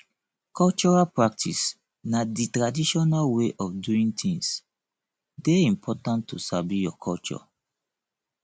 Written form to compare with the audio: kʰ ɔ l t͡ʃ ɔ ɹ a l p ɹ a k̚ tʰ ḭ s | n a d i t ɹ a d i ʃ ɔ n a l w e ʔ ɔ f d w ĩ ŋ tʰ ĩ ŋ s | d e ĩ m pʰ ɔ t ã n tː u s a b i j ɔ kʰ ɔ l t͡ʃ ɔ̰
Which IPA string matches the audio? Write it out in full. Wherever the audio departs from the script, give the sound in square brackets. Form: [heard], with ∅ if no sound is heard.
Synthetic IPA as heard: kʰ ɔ l t͡ʃ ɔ ɹ a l p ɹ a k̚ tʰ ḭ s | n a d i t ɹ a d i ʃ ɔ n a l w e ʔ ɔ f d [u] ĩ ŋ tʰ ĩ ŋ s | d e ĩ m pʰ ɔ t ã n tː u s a b i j ɔ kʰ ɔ l t͡ʃ ɔ̰